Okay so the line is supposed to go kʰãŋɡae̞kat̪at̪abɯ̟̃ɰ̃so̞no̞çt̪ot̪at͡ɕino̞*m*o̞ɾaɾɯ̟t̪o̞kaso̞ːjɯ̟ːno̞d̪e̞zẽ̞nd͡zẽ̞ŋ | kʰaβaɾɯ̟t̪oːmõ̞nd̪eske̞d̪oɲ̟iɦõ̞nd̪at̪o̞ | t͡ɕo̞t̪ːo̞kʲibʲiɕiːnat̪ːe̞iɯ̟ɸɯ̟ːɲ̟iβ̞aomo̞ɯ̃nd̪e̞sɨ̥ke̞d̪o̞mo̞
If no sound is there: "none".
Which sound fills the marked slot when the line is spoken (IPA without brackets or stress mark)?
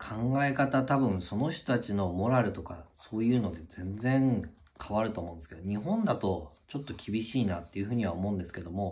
m